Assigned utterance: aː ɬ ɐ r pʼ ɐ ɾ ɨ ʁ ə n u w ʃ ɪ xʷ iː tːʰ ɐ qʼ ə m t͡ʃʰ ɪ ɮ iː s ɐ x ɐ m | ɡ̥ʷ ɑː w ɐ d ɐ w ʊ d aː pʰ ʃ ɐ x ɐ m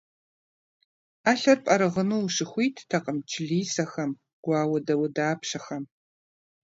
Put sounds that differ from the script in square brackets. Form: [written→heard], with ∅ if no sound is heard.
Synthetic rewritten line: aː ɬ ɐ r pʼ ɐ ɾ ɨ ʁ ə n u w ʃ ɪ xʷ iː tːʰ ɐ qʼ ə m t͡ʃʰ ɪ ɮ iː s ɐ x ɐ m | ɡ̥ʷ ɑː w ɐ d ɐ w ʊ d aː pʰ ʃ ɐ x ɐ m